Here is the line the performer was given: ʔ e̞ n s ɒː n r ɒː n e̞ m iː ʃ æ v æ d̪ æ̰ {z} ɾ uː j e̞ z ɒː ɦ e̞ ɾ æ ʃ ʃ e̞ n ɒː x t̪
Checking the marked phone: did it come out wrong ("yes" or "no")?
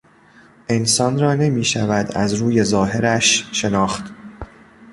no